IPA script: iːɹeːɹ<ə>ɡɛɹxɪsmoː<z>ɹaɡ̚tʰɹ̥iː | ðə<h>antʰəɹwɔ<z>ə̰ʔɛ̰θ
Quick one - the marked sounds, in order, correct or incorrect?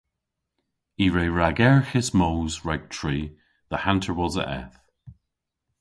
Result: incorrect: a, correct, correct, correct

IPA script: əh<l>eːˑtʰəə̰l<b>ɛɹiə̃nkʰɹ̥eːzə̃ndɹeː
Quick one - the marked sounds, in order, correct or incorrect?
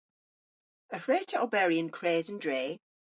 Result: incorrect: ɹ, correct

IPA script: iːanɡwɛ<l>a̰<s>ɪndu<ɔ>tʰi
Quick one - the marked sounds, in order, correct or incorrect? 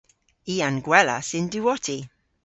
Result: correct, correct, correct

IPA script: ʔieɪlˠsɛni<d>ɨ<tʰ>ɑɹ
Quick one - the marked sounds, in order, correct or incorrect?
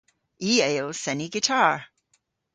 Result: incorrect: ɡ, correct

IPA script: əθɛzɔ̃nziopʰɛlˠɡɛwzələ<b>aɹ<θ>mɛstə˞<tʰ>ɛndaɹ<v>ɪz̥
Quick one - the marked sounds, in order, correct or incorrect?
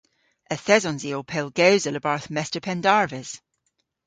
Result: correct, correct, incorrect: pʰ, correct

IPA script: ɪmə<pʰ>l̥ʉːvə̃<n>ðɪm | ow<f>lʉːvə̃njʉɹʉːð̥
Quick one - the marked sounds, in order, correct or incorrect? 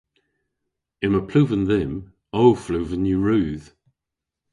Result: correct, correct, correct

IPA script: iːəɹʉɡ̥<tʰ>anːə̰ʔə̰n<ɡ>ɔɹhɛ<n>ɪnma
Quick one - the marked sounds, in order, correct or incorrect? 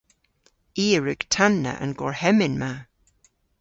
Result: correct, correct, incorrect: m

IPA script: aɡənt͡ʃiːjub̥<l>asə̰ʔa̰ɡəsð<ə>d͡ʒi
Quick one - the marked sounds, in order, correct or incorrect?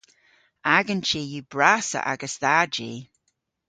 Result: incorrect: ɹ, incorrect: a

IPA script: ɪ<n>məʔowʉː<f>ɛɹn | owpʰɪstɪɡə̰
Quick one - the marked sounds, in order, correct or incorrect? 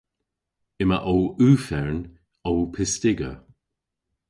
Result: incorrect: none, correct

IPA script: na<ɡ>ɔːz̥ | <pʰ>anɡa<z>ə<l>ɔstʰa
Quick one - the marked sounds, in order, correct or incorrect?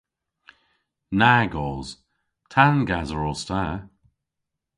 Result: correct, incorrect: tʰ, correct, incorrect: ɹ

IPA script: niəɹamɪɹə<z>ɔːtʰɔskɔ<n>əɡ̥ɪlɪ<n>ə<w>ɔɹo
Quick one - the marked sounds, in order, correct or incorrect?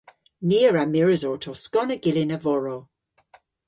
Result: correct, correct, correct, incorrect: v

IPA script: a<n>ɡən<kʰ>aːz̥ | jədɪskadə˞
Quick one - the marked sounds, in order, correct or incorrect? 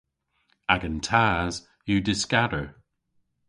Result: incorrect: none, incorrect: tʰ

